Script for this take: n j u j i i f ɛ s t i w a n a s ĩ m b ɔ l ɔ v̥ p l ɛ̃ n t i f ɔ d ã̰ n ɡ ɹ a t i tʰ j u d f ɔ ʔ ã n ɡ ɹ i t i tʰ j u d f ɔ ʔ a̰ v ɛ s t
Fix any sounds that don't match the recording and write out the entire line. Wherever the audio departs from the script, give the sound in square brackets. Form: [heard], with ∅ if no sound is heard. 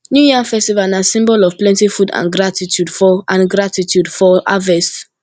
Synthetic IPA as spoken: n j u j i [a] f ɛ s t i [v] a n a s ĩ m b ɔ l ɔ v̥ p l ɛ̃ n t i f [u] d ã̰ n ɡ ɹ a t i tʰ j u d f ɔ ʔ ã n ɡ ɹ [a] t i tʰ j u d f ɔ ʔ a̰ v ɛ s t